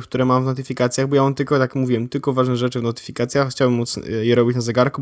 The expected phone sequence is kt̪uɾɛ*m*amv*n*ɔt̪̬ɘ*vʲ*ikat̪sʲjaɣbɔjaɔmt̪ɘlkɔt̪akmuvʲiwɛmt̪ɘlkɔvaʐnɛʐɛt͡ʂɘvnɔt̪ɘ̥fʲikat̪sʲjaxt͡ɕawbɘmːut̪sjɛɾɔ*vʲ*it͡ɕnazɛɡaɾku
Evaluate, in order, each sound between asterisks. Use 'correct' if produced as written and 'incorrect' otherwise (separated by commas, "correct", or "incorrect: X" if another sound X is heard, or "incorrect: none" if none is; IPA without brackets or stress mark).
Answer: correct, correct, incorrect: fʲ, incorrect: bʲ